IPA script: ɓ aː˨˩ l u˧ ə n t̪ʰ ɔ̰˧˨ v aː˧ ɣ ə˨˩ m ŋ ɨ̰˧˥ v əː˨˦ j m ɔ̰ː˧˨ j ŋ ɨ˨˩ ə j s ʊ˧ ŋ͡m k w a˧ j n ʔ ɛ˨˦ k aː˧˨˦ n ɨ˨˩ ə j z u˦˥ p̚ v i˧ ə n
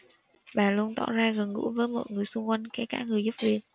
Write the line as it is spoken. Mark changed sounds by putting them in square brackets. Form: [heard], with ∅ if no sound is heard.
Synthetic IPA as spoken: ɓ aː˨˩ l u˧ ə n [t̪] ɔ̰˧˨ [z] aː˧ ɣ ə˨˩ [n] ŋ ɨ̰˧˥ v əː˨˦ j m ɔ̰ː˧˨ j ŋ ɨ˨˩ ə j s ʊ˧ ŋ͡m k w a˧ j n [k] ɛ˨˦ k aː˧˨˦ [ŋ] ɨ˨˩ ə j z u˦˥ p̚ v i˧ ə n